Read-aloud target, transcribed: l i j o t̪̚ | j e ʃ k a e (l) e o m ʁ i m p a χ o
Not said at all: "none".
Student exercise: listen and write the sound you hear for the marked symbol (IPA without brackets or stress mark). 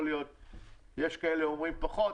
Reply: l